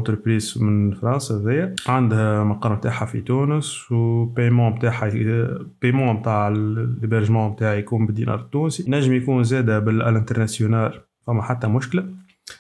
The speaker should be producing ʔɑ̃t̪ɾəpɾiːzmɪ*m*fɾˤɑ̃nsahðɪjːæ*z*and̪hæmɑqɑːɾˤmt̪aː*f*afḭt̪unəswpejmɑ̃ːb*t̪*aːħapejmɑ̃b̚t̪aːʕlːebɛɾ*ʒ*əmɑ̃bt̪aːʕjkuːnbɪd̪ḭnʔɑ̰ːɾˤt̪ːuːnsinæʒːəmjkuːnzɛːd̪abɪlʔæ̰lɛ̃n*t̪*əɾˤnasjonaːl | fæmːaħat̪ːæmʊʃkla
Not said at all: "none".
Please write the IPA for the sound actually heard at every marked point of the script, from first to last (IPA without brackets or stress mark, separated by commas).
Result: n, ʕ, ħ, t̪, ʒ, t̪